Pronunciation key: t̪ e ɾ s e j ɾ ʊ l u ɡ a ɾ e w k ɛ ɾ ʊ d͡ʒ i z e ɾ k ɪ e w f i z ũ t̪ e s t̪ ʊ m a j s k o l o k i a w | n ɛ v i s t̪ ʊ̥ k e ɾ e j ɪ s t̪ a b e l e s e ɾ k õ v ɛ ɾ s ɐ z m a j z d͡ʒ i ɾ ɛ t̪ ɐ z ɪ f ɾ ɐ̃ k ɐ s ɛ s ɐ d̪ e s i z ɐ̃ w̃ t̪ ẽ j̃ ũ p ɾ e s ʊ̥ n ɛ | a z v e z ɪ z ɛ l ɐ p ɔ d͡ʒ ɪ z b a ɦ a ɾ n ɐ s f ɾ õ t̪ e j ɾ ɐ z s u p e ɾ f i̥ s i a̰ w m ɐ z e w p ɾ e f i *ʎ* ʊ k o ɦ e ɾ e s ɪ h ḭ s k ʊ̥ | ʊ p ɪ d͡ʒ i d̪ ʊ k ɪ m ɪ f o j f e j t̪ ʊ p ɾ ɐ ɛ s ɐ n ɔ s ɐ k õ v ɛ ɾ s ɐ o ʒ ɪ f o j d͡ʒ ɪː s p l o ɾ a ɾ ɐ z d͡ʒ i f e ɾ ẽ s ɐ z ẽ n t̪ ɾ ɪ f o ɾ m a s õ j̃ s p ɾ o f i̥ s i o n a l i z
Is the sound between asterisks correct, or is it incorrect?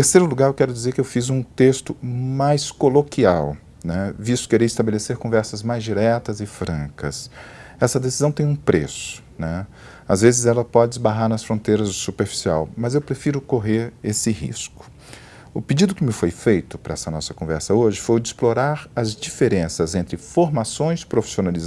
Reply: incorrect